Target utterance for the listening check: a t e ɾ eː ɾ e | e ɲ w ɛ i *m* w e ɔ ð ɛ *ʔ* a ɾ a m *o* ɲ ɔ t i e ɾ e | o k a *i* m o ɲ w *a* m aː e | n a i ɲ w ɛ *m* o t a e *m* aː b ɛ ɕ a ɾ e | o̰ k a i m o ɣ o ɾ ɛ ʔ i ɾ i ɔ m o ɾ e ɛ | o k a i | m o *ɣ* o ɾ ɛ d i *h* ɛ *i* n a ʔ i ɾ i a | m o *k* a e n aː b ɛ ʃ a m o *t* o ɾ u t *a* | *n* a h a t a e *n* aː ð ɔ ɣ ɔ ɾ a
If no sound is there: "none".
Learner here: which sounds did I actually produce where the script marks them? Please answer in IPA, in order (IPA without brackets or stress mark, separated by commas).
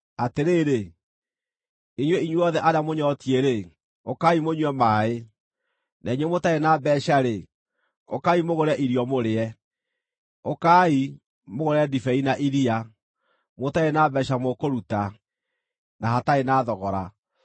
ɲ, ʔ, o, i, ɛ, m, n, ɣ, f, i, t, k, a, n, n